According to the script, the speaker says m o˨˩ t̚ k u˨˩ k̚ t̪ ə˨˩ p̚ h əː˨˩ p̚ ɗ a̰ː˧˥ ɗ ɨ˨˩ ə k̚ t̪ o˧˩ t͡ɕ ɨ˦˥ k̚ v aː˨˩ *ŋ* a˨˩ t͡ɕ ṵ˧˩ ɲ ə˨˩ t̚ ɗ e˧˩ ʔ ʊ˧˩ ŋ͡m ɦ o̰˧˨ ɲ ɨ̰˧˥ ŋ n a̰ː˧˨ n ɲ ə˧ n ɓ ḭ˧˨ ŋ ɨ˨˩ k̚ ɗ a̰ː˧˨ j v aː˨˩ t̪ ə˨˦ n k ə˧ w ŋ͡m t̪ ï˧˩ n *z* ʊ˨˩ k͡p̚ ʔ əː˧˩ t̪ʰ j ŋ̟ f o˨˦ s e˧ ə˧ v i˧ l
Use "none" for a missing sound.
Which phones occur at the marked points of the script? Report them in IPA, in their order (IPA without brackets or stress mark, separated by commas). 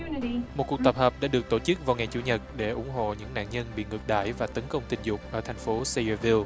ŋ, z